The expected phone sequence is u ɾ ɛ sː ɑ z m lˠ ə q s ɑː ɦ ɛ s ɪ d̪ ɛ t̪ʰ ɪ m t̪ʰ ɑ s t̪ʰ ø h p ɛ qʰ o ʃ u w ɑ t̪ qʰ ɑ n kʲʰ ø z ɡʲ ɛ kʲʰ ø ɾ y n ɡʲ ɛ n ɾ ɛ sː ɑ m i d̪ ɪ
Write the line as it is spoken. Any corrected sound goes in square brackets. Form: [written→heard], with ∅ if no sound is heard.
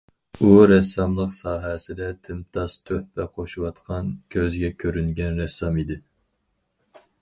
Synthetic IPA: u ɾ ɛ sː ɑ [z→∅] m lˠ ə q s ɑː ɦ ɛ s ɪ d̪ ɛ t̪ʰ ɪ m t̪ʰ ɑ s t̪ʰ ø h p ɛ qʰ o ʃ u w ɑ t̪ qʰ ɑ n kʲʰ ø z ɡʲ ɛ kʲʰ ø ɾ y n ɡʲ ɛ n ɾ ɛ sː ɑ m i d̪ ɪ